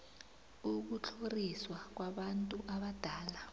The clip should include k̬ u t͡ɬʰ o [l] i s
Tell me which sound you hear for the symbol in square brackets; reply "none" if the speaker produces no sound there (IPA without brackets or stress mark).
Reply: r